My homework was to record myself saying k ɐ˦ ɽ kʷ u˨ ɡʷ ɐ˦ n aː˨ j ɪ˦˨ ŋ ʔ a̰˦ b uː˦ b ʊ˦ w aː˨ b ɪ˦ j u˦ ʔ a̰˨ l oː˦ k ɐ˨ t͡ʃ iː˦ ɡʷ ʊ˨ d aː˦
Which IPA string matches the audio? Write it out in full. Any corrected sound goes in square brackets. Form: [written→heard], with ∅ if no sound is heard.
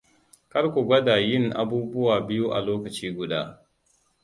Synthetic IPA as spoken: k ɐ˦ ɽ kʷ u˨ ɡʷ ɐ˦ [n→d] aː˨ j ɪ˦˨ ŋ ʔ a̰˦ b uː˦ b ʊ˦ w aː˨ b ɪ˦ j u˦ ʔ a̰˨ l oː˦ k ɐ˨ t͡ʃ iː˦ ɡʷ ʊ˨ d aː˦